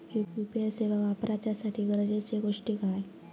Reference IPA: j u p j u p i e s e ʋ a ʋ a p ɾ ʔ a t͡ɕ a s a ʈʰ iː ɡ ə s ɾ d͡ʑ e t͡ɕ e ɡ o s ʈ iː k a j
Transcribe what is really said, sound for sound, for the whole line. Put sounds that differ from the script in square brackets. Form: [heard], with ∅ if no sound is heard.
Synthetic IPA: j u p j u p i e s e ʋ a ʋ a p ɾ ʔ a t͡ɕ a s a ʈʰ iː ɡ ə [∅] ɾ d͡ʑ e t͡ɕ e ɡ o [ʂ] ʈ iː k a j